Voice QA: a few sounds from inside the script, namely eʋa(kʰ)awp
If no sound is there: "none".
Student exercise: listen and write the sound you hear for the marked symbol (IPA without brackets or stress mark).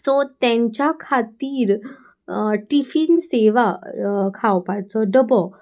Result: kʰ